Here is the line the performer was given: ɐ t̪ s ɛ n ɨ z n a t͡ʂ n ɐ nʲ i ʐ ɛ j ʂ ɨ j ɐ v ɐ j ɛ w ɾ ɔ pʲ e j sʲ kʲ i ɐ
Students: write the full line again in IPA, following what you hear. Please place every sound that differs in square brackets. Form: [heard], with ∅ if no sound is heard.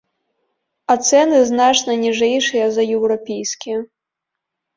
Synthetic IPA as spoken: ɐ t̪ s ɛ n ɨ z n a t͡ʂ n ɐ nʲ i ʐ ɛ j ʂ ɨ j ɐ [z] ɐ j ɛ w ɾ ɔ pʲ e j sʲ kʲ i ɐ